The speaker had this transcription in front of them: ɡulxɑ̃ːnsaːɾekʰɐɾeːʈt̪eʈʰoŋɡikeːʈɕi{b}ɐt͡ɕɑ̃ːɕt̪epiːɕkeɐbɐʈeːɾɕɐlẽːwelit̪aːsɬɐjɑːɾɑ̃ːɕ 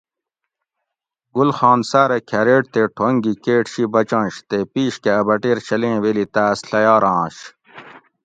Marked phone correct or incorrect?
correct